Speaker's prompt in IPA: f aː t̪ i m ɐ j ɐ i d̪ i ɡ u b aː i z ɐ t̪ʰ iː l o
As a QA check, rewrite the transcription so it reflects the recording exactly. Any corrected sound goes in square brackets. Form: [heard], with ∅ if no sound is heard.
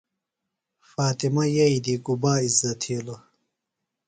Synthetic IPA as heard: f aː t̪ i m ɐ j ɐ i d̪ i ɡ u b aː i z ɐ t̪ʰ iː l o

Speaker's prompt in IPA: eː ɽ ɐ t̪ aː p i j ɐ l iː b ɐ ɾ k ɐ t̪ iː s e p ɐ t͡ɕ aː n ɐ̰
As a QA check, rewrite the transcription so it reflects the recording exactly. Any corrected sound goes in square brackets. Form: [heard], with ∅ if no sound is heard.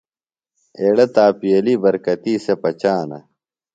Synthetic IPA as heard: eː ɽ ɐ t̪ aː p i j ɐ l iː b ɐ ɾ k ɐ t̪ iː s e p ɐ t͡ɕ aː n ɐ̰

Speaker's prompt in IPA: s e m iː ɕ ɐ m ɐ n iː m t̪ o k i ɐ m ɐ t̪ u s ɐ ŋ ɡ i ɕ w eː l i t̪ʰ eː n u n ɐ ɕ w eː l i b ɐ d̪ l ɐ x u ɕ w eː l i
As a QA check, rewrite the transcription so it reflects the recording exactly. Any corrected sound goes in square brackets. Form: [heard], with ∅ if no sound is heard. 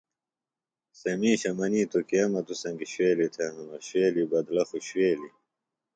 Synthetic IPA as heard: s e m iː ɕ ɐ m ɐ n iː [∅] t̪ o k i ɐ m ɐ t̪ u s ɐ ŋ ɡ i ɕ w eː l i t̪ʰ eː n u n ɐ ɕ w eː l i b ɐ d̪ l ɐ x u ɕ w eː l i

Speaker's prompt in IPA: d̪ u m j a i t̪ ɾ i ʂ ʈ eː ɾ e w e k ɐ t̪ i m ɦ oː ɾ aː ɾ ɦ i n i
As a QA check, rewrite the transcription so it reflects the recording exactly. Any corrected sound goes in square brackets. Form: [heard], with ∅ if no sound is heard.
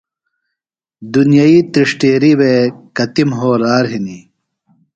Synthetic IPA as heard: d̪ u [n] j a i t̪ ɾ i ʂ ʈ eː ɾ [i] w e k ɐ t̪ i m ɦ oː ɾ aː ɾ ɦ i n i

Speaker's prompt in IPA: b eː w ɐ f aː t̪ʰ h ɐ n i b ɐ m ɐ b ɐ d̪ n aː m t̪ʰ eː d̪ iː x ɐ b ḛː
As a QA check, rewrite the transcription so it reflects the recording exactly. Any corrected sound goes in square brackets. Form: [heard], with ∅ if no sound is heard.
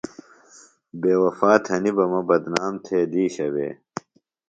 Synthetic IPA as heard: b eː w ɐ f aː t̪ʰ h ɐ n i b ɐ m ɐ b ɐ d̪ n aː m t̪ʰ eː d̪ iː [ɕ] ɐ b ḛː

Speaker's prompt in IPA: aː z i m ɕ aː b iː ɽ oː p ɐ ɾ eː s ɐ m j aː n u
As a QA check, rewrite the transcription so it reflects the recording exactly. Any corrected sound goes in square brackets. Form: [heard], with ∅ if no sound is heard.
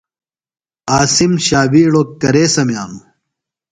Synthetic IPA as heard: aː [s] i m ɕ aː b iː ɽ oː [k] ɐ ɾ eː s ɐ m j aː n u

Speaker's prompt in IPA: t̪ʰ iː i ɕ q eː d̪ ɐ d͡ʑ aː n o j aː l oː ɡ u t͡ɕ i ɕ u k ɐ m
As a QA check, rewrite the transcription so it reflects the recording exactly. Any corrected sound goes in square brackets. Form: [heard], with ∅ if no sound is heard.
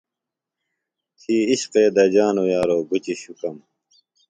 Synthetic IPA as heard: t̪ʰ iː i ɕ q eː d̪ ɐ d͡ʑ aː n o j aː [ɾ] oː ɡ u t͡ɕ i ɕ u k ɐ m

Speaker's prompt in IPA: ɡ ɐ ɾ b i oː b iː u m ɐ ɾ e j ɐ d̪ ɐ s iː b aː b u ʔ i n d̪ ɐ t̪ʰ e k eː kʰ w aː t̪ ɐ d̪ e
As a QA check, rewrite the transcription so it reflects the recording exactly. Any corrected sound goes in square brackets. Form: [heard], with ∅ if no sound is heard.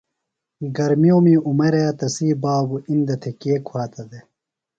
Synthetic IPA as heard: ɡ ɐ ɾ [m] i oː [m] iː u m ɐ ɾ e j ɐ [t̪] ɐ s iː b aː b u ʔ i n d̪ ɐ t̪ʰ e k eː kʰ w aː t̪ ɐ d̪ e

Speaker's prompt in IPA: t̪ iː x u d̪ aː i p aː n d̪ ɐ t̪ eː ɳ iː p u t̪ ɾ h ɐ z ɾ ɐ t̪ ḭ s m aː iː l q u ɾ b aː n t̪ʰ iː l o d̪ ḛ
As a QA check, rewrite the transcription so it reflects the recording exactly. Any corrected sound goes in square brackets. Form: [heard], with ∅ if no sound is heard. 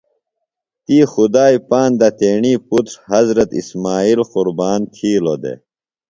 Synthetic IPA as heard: t̪ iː x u d̪ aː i p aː n d̪ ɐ t̪ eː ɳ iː p u t̪ ɾ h ɐ z ɾ ɐ t̪ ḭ s m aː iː l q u ɾ b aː n t̪ʰ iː l o d̪ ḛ

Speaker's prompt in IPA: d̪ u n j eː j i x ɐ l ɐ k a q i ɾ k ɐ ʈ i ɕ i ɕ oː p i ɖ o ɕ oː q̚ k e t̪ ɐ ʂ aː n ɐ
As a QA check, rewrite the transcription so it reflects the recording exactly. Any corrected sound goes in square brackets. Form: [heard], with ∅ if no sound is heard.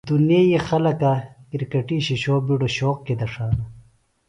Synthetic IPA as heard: d̪ u n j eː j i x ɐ l ɐ k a [k] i ɾ k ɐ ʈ i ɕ i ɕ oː [b] i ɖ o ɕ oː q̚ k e [d̪] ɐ ʂ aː n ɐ

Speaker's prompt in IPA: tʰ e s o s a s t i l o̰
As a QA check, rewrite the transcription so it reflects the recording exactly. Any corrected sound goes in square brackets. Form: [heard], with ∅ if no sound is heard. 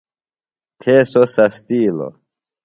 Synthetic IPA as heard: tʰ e s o s a s t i l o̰

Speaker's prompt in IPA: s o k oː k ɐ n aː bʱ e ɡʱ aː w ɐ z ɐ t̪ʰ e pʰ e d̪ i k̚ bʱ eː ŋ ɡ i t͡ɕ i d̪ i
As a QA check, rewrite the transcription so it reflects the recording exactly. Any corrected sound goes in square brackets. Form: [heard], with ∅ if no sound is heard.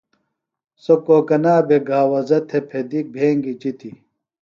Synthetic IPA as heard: s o k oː k ɐ n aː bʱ e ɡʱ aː w ɐ z ɐ t̪ʰ e pʰ e d̪ i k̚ bʱ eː ŋ ɡ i t͡ɕ i [t̪] i

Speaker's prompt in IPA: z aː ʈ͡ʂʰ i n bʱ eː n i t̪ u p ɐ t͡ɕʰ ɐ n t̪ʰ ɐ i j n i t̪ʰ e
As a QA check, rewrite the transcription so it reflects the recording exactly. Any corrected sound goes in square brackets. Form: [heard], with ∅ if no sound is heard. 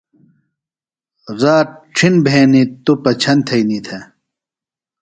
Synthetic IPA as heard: z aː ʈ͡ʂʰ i n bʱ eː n i t̪ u p ɐ t͡ɕʰ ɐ n t̪ʰ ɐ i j n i t̪ʰ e

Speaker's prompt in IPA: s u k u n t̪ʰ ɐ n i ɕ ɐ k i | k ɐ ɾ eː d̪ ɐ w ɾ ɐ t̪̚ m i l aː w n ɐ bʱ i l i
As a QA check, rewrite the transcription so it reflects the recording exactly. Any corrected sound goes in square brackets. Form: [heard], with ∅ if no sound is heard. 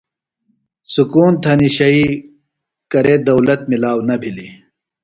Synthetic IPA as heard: s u k [uː] n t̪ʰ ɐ n i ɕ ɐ [∅] i | k ɐ ɾ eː d̪ ɐ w [l] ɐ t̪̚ m i l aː w n ɐ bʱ i l i

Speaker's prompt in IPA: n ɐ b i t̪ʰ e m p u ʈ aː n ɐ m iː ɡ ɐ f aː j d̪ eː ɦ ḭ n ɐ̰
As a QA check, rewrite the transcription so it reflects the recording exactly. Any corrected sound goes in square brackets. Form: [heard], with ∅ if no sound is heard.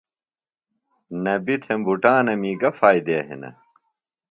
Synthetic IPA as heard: n ɐ b i t̪ʰ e m [b] u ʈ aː n ɐ m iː ɡ ɐ f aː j d̪ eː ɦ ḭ n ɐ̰

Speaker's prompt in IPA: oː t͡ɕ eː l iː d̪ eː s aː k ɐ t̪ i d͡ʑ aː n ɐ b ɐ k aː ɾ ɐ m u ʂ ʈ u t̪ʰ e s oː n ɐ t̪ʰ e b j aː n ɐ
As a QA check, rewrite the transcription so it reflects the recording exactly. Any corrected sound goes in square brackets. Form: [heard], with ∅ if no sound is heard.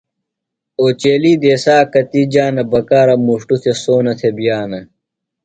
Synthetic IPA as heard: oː t͡ɕ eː l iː d̪ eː s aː k ɐ t̪ i d͡ʑ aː n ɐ b ɐ k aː ɾ ɐ m u ʂ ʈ u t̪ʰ e s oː n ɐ t̪ʰ e b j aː n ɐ

